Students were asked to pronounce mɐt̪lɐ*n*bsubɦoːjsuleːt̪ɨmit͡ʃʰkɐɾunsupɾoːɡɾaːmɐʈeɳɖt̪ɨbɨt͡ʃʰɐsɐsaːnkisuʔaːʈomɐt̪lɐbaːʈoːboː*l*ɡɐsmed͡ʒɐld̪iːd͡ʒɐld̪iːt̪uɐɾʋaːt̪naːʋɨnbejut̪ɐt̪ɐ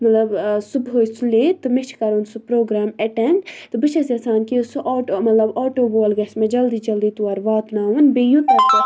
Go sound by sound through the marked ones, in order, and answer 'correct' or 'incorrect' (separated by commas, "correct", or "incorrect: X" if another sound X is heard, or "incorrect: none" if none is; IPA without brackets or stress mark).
incorrect: none, correct